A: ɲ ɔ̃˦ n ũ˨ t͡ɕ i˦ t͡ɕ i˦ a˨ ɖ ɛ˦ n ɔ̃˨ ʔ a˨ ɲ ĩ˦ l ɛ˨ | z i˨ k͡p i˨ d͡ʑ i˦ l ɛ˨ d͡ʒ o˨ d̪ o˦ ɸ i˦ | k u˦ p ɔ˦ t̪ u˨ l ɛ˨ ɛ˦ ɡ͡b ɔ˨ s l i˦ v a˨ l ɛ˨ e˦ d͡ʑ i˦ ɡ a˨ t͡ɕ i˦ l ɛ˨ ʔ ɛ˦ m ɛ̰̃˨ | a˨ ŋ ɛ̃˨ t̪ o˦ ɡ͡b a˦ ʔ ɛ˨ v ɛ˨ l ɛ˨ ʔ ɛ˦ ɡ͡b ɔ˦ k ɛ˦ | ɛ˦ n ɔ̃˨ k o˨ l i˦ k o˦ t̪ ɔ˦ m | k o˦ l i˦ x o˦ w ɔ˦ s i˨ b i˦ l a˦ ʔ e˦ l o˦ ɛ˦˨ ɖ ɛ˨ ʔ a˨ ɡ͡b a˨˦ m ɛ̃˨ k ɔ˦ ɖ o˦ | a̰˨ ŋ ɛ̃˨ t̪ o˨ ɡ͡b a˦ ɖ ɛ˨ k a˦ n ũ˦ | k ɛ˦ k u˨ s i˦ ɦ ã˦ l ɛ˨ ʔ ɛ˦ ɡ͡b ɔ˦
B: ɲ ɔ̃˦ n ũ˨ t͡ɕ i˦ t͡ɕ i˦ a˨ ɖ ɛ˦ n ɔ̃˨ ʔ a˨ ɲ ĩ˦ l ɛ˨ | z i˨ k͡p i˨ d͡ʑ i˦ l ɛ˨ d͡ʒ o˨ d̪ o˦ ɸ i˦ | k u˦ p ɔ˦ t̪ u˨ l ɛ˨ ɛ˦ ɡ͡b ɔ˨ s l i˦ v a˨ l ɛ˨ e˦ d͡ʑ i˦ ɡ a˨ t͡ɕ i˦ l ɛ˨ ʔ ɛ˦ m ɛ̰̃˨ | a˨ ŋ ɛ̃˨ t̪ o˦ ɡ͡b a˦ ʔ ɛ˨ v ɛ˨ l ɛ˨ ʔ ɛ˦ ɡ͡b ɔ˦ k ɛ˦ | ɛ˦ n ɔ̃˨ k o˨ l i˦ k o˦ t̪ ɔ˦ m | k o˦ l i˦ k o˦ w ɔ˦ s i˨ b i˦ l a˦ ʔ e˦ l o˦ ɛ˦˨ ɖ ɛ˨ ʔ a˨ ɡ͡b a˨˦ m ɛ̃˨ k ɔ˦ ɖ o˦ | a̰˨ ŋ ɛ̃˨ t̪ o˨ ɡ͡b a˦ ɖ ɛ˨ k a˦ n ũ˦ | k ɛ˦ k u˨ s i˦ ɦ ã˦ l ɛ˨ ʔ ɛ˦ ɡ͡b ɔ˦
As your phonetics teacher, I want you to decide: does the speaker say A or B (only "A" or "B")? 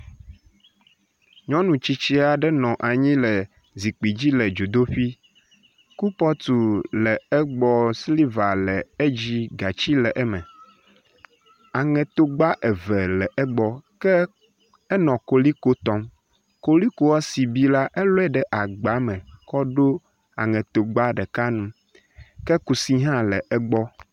B